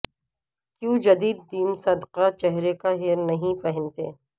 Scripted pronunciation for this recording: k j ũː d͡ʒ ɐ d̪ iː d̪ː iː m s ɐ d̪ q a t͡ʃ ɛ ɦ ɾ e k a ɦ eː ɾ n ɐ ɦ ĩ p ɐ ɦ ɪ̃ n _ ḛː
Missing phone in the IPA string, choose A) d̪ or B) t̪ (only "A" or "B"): B